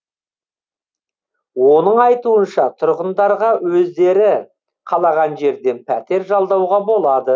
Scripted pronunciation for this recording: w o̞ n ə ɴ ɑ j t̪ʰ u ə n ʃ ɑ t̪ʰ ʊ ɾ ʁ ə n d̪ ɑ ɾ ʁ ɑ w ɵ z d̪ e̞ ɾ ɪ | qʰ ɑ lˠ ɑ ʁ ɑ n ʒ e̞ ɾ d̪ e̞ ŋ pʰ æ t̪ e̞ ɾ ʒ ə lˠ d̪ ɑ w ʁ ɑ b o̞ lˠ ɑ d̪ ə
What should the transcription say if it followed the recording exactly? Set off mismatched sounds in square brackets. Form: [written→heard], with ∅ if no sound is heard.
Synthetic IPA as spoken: w o̞ n ə ɴ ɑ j [t̪ʰ→t̪] u ə n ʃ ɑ t̪ʰ ʊ ɾ ʁ ə n d̪ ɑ ɾ ʁ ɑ w ɵ z d̪ e̞ ɾ ɪ | qʰ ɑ lˠ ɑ ʁ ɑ n ʒ e̞ ɾ d̪ e̞ [ŋ→n] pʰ æ t̪ e̞ ɾ ʒ [ə→ɑ] lˠ d̪ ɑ w ʁ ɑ b o̞ lˠ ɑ d̪ ə